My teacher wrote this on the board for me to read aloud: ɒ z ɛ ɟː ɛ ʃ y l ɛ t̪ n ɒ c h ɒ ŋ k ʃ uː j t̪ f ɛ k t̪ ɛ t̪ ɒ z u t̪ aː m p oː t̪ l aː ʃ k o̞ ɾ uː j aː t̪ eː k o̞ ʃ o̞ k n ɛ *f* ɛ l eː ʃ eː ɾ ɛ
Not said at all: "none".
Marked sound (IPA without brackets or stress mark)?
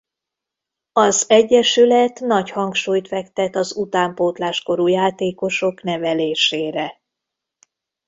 v